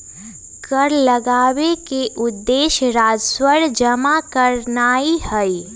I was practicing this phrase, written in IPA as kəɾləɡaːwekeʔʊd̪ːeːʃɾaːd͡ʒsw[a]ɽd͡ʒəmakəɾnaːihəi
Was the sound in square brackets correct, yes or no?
no